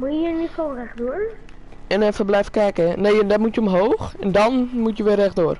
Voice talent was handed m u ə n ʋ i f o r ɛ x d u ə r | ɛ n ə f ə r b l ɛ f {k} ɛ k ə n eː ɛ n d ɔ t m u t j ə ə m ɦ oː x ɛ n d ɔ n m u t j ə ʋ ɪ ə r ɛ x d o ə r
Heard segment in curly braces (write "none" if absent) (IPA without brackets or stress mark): k